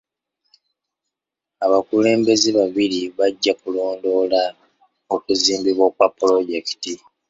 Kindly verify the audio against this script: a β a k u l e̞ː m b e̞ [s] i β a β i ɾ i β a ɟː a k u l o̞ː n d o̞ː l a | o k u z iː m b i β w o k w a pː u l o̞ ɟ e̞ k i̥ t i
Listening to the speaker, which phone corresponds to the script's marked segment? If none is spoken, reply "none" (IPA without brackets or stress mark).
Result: z